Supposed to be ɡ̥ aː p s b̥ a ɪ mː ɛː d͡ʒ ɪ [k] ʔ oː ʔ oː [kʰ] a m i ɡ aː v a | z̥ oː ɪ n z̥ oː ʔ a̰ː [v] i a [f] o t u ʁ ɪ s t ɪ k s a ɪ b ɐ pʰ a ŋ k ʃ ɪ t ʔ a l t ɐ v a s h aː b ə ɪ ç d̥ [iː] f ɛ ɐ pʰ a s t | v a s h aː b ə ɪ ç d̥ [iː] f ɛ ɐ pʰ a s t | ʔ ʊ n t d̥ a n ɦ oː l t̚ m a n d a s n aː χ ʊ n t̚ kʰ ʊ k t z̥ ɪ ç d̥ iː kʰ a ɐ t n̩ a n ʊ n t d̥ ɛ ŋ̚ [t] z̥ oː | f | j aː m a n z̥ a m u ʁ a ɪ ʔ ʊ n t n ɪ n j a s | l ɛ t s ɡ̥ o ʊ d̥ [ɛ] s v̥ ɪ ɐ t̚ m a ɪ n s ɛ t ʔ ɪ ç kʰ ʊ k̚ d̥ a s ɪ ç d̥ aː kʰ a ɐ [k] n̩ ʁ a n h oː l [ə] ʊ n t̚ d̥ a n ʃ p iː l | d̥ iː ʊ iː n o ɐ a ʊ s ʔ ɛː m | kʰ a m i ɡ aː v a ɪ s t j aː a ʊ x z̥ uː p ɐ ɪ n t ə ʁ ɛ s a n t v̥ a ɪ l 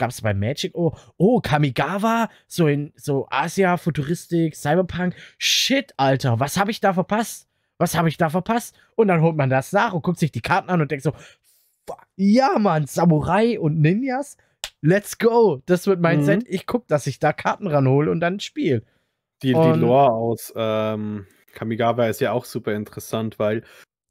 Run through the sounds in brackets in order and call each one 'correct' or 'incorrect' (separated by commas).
correct, correct, incorrect, correct, incorrect, incorrect, correct, incorrect, incorrect, correct